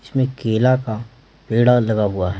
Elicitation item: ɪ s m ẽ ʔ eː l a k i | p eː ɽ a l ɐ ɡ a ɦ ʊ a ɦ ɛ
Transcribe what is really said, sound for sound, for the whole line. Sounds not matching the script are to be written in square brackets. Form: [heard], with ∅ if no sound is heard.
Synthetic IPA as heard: ɪ s m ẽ [k] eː l a k [a] | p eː ɽ a l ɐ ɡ a ɦ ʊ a ɦ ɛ